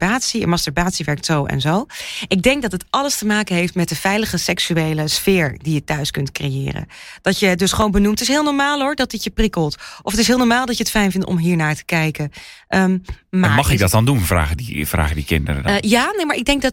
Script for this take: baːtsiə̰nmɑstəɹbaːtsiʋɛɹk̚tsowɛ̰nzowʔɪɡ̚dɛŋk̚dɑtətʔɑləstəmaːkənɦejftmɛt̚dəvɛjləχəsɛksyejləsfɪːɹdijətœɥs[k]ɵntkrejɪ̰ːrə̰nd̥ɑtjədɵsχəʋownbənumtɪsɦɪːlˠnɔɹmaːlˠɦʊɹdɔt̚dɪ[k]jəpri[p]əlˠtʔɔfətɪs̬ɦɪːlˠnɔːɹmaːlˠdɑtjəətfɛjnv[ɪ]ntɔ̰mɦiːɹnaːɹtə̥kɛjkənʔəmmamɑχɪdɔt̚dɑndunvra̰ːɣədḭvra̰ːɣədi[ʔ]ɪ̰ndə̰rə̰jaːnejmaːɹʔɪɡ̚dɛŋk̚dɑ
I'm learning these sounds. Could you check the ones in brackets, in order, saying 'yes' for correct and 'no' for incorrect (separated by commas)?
yes, no, no, yes, no